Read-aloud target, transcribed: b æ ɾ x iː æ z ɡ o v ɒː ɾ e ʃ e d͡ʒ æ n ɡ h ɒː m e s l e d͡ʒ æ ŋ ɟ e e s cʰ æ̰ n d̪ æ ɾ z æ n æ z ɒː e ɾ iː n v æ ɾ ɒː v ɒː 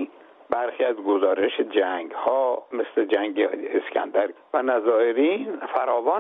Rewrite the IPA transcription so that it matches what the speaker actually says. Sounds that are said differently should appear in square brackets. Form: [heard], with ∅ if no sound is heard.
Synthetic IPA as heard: b æ ɾ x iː æ z ɡ o [z] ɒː ɾ e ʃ e d͡ʒ æ [ŋ] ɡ h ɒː m e s l e d͡ʒ æ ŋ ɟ e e s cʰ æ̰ n d̪ æ ɾ [v] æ n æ z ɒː e ɾ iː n [f] æ ɾ ɒː v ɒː